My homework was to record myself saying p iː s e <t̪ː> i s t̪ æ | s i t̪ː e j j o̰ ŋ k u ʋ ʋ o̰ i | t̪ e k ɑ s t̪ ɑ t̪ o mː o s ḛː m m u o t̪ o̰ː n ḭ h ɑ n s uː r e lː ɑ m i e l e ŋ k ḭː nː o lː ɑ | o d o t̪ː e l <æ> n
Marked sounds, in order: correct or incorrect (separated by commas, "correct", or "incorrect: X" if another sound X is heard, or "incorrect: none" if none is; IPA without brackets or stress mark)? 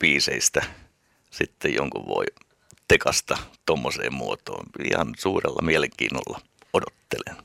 incorrect: none, incorrect: e